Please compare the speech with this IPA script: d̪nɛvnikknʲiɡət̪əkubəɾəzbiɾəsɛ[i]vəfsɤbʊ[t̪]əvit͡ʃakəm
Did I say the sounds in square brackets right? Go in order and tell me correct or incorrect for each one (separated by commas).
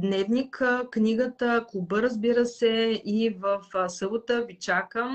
correct, correct